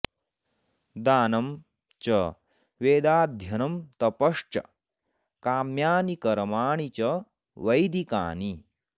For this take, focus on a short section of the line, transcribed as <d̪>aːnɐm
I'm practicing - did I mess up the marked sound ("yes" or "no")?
no